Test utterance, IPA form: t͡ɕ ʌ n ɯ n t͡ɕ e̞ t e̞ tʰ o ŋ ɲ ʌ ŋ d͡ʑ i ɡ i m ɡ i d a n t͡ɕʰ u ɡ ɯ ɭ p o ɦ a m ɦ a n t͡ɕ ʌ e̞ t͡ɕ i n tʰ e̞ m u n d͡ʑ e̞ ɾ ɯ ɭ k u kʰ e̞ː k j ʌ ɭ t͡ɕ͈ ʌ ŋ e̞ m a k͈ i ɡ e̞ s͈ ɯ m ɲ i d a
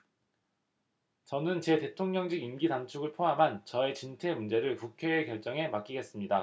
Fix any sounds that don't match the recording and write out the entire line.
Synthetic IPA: t͡ɕ ʌ n ɯ n t͡ɕ e̞ t e̞ tʰ o ŋ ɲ ʌ ŋ d͡ʑ i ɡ i m ɡ i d a n t͡ɕʰ u ɡ ɯ ɭ pʰ o ɦ a m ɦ a n t͡ɕ ʌ e̞ t͡ɕ i n tʰ e̞ m u n d͡ʑ e̞ ɾ ɯ ɭ k u kʰ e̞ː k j ʌ ɭ t͡ɕ͈ ʌ ŋ e̞ m a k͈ i ɡ e̞ s͈ ɯ m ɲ i d a

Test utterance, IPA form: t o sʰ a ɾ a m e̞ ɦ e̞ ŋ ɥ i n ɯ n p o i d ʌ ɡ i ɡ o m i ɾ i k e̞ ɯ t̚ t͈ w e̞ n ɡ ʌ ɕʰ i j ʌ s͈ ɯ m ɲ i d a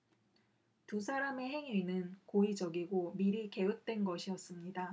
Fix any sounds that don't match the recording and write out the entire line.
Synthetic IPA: t u sʰ a ɾ a m e̞ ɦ e̞ ŋ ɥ i n ɯ n k o i d͡ʑ ʌ ɡ i ɡ o m i ɾ i k e̞ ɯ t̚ t͈ w e̞ n ɡ ʌ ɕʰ i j ʌ s͈ ɯ m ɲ i d a

